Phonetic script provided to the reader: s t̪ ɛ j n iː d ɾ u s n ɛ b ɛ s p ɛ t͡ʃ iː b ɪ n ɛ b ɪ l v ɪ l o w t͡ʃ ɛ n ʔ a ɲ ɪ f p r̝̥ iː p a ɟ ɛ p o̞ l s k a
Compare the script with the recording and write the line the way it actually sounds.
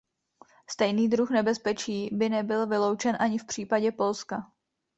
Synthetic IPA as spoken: s t̪ ɛ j n iː d ɾ u x n ɛ b ɛ s p ɛ t͡ʃ iː b ɪ n ɛ b ɪ l v ɪ l o w t͡ʃ ɛ n ʔ a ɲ ɪ f p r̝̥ iː p a ɟ ɛ p o̞ l s k a